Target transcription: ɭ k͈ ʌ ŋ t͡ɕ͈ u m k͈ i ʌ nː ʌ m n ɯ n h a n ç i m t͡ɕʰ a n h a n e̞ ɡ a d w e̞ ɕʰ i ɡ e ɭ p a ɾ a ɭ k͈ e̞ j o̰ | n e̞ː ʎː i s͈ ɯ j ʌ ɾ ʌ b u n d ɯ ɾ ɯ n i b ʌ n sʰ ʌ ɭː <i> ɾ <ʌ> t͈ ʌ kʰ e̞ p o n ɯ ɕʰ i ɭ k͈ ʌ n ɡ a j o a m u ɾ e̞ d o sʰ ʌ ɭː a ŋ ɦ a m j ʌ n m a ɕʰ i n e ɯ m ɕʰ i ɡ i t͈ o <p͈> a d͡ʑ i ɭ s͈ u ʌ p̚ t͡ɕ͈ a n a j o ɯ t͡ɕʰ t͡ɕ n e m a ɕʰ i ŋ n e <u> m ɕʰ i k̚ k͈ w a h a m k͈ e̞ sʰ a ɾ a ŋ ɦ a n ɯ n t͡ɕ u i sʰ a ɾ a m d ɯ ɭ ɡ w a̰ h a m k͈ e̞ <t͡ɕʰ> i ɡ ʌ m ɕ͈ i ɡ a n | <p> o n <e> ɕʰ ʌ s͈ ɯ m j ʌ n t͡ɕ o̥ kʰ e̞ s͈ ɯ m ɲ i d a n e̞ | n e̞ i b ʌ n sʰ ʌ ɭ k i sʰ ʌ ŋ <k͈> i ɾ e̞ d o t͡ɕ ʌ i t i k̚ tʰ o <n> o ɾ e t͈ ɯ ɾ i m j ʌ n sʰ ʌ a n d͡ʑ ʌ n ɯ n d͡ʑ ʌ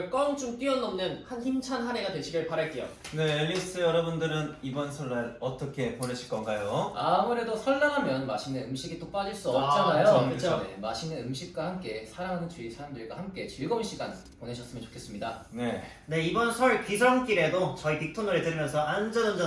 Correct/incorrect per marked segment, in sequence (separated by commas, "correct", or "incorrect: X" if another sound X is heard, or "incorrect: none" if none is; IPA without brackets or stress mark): incorrect: a, correct, correct, incorrect: ɯ, incorrect: t͡ɕ, correct, correct, correct, correct